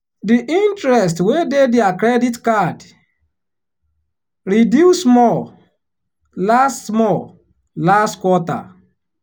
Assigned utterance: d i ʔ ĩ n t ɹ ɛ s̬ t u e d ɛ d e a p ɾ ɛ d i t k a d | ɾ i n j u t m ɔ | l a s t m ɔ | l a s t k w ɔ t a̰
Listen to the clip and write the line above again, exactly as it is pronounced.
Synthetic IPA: d i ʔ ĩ n t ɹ ɛ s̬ t w e d e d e a k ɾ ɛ d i t k a d | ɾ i d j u s m ɔ | l a s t m ɔ | l a s t k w ɔ t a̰